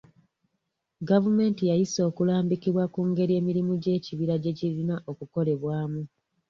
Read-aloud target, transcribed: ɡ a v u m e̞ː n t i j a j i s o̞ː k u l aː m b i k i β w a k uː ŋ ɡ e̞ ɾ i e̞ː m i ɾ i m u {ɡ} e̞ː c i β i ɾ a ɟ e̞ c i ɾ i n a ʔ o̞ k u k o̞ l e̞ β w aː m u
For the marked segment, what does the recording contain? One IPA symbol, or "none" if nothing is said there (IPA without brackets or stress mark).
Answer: ɟ